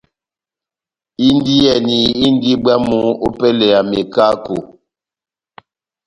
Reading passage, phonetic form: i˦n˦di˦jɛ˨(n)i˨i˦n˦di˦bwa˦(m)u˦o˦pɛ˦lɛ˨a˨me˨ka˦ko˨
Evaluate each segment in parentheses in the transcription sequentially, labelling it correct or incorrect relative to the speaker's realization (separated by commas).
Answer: correct, correct